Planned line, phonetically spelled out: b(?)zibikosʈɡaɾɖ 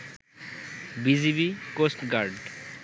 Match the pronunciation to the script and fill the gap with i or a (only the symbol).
i